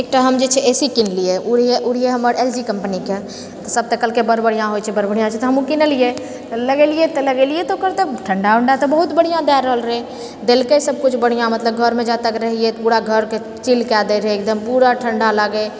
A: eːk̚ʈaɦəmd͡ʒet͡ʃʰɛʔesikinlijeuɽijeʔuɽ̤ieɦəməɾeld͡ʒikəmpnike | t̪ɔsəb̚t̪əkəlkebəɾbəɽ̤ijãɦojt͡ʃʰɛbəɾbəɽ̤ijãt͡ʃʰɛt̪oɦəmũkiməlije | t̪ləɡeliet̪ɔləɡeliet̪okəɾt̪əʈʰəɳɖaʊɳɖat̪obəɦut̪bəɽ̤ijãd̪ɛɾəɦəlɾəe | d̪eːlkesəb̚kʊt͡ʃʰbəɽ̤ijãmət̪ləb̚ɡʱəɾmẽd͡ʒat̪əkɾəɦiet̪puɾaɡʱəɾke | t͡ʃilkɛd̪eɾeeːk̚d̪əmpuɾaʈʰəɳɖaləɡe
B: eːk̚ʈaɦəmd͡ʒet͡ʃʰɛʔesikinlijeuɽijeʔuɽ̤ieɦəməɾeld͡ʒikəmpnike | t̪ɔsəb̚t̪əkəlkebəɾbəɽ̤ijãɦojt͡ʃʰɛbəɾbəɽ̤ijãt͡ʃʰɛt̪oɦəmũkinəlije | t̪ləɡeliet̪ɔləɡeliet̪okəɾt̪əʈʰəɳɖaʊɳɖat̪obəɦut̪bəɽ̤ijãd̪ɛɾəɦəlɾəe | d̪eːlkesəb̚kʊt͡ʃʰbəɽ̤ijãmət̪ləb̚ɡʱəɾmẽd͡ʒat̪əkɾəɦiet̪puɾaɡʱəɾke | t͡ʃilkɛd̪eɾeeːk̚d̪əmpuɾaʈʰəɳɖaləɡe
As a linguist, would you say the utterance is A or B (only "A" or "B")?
B